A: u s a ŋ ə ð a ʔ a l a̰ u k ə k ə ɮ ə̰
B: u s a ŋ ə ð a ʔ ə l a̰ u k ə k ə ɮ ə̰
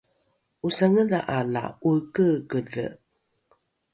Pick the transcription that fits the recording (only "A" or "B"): A